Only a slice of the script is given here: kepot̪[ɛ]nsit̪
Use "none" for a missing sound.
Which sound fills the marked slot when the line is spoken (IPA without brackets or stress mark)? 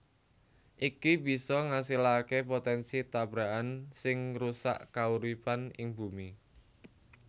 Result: ɛ